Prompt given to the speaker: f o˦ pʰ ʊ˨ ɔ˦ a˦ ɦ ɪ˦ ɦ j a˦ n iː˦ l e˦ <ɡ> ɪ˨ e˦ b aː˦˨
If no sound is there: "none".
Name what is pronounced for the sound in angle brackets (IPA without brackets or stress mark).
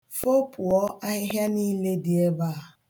d